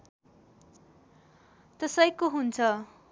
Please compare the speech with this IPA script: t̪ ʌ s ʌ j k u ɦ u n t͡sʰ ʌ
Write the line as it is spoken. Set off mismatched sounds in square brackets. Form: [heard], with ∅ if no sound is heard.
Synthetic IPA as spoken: t̪ ʌ s ʌ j k [o] ɦ u n t͡sʰ ʌ